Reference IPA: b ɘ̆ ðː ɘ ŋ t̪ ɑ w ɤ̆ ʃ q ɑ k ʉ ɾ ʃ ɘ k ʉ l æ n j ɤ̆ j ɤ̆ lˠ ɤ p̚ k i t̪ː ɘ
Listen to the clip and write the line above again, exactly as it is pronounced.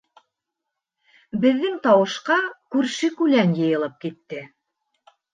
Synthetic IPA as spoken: b ɘ̆ ðː ɘ ŋ t̪ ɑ w ɤ̆ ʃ q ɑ k ʉ ɾ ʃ ɘ k ʉ l æ n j ɤ̆ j ɤ̆ lˠ ɤ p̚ k i t̪ː ɘ